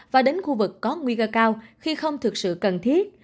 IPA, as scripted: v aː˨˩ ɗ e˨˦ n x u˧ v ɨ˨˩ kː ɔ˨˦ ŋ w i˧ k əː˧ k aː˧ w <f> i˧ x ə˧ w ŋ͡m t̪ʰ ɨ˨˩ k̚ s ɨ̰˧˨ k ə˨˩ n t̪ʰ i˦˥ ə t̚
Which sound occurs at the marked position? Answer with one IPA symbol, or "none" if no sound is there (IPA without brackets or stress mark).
x